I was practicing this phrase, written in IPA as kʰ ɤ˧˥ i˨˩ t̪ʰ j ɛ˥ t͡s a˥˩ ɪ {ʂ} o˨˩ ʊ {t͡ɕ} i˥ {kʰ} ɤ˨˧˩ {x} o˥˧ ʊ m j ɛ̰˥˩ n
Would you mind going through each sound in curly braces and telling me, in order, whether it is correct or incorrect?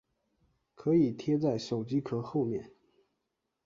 correct, correct, correct, correct

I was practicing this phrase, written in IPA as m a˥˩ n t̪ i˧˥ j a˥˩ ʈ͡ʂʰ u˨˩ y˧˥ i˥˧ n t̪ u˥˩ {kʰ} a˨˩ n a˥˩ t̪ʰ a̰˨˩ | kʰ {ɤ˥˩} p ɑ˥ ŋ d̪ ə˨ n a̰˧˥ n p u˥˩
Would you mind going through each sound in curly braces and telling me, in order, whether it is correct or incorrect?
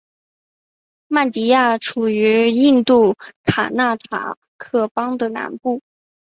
correct, correct

